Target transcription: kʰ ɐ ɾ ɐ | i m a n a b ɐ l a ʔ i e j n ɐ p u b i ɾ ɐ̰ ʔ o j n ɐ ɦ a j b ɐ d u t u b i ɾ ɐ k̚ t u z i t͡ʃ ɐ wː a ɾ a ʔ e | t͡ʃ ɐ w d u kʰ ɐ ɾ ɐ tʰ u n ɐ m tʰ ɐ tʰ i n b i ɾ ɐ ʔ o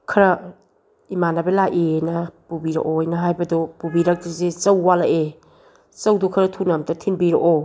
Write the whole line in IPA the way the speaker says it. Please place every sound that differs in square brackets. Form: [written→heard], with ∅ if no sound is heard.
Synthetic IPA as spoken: kʰ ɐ ɾ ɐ | i m a n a b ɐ l a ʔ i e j n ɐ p u b i ɾ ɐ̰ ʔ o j n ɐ ɦ a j b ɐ d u [t→p] u b i ɾ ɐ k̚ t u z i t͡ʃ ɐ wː a [ɾ→l] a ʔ e | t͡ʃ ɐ w d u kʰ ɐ ɾ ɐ tʰ u n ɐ m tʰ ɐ tʰ i n b i ɾ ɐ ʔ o